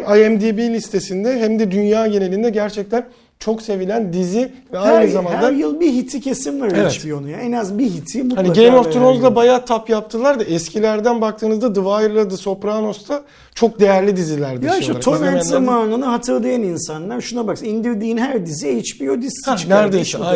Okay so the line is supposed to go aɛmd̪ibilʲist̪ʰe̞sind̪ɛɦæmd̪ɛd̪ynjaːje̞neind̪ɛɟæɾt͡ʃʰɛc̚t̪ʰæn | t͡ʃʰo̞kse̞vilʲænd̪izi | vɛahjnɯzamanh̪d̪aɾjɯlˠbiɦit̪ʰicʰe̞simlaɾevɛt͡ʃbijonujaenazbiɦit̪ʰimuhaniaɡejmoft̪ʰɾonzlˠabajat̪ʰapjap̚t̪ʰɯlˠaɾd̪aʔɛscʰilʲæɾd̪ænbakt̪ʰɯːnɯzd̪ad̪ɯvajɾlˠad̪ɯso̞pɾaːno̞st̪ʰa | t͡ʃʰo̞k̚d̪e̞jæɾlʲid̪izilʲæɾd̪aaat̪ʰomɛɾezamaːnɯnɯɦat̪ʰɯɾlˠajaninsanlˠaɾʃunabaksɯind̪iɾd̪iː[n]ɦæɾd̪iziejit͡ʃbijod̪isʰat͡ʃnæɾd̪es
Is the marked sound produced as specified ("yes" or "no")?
yes